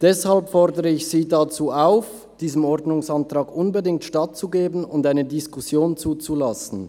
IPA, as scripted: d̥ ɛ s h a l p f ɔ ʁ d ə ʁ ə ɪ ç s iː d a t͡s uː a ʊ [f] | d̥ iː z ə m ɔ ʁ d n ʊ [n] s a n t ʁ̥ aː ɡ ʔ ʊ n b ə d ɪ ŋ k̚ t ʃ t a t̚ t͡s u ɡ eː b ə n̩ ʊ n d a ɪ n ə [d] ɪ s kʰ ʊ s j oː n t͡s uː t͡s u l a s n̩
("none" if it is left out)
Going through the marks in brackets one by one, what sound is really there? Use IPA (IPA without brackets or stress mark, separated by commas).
f, ŋ, d